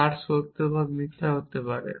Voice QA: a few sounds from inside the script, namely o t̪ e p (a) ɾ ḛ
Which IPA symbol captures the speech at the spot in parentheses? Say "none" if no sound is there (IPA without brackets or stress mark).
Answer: a